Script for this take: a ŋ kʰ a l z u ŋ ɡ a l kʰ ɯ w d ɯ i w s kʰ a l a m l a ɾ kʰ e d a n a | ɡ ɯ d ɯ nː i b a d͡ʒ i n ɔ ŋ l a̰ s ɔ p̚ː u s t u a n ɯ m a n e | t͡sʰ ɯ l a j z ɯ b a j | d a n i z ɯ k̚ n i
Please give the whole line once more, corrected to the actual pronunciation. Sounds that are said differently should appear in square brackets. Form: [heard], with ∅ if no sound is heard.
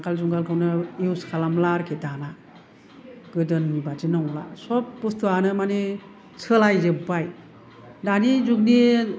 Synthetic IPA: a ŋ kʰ a l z u ŋ ɡ a l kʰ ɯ w [n] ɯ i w s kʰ a l a m l a ɾ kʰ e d a n a | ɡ ɯ d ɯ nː i b a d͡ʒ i n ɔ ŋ l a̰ s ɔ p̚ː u s t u a n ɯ m a n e | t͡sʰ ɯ l a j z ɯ b a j | d a n i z [u] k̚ n i

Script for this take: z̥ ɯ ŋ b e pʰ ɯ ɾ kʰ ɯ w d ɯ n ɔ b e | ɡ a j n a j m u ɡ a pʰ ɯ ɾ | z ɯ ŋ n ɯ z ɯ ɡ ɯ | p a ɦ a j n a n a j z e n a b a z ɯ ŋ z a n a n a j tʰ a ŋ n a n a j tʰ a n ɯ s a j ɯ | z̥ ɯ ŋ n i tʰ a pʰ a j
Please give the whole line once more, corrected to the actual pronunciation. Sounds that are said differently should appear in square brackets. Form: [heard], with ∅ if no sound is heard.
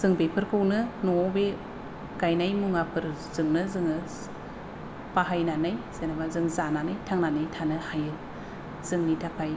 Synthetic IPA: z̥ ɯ ŋ b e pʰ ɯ ɾ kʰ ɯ w [n] ɯ n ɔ b e | ɡ a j n a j m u [ŋ] a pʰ ɯ ɾ | z ɯ ŋ n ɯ z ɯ [ŋ] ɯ | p a ɦ a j n a n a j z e n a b a z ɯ ŋ z a n a n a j tʰ a ŋ n a n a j tʰ a n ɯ [h] a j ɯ | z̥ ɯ ŋ n i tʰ a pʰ a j

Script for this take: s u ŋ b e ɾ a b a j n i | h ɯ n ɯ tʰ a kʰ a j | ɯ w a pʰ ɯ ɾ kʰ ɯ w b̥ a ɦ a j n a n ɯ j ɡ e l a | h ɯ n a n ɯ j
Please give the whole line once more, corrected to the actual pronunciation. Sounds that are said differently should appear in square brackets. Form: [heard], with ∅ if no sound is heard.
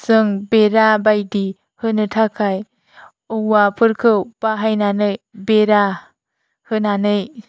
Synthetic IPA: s [ɯ] ŋ b e ɾ a b a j [d] i | h ɯ n ɯ tʰ a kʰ a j | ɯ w a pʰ ɯ ɾ kʰ ɯ w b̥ a ɦ a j n a n ɯ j [b] e [ɾ] a | h ɯ n a n ɯ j

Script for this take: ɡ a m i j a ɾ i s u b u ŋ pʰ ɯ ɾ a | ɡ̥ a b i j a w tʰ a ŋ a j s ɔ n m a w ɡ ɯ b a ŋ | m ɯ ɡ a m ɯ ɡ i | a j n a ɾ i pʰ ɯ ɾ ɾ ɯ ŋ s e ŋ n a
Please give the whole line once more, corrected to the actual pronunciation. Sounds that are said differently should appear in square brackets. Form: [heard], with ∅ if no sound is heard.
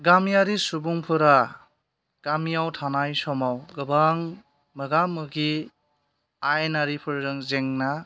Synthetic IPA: ɡ a m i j a ɾ i s u b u ŋ pʰ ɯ ɾ a | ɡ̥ a [m] i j a w tʰ a [n] a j s ɔ [∅] m a w ɡ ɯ b a ŋ | m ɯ ɡ a m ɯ ɡ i | a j n a ɾ i pʰ ɯ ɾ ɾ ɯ ŋ [z] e ŋ n a

